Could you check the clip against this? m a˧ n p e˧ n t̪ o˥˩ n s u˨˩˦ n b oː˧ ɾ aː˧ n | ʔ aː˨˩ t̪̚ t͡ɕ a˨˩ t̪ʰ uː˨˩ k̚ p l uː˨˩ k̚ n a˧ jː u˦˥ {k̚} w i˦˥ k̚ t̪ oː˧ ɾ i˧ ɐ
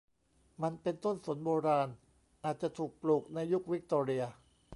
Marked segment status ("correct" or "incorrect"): correct